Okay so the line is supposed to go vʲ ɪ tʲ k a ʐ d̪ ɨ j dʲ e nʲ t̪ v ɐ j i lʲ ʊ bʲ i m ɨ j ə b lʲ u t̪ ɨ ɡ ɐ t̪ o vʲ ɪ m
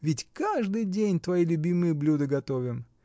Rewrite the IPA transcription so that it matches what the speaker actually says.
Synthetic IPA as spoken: vʲ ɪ tʲ k a ʐ d̪ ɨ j dʲ e nʲ t̪ v ɐ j i lʲ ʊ bʲ i m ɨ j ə b lʲ u d̪ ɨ ɡ ɐ t̪ o vʲ ɪ m